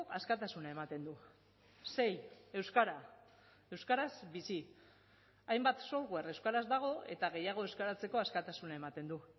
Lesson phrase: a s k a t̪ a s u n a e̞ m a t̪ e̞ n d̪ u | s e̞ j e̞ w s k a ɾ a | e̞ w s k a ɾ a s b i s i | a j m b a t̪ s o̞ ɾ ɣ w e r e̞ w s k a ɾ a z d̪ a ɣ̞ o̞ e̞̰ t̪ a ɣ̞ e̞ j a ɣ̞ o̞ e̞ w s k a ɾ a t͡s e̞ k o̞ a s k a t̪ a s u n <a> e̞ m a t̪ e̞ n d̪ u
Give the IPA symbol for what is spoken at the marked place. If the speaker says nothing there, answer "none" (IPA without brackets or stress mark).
a